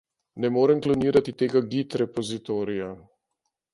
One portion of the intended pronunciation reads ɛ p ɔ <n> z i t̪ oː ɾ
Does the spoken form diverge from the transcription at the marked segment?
yes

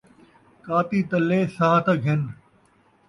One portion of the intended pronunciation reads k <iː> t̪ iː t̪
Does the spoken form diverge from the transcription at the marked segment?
yes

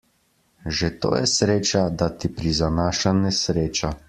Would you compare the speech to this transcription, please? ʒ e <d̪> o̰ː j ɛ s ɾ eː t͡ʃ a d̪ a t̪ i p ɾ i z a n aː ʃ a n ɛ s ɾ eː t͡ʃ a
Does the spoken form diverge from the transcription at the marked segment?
yes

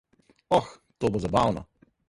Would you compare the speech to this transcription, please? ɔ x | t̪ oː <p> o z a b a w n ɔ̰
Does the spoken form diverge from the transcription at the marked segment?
yes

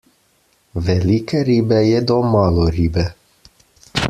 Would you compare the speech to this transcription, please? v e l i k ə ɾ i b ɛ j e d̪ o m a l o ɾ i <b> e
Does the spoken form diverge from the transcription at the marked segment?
no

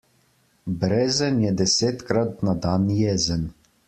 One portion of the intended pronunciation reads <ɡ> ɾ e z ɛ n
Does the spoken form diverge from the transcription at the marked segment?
yes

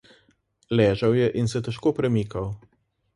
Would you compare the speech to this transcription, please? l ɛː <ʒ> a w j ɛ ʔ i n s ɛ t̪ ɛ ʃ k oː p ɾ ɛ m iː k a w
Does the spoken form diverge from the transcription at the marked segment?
no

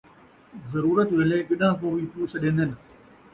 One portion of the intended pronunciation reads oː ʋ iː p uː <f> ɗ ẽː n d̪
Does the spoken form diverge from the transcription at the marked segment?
yes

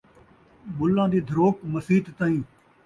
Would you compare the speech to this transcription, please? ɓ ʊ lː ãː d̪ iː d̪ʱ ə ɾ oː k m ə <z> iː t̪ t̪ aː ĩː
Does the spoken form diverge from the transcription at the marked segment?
yes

